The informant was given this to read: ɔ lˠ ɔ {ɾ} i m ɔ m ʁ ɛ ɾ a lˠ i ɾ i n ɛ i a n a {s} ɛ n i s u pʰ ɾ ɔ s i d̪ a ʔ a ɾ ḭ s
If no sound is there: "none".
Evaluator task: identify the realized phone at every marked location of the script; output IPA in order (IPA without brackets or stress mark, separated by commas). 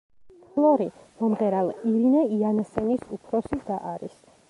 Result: ɾ, s